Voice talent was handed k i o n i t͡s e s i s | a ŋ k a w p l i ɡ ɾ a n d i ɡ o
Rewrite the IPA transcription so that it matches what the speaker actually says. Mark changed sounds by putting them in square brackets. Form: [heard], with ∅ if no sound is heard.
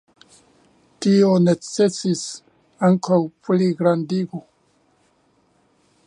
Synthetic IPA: [t] i o n [e] t͡s e s i s | a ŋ k a w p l i ɡ ɾ a n d i ɡ o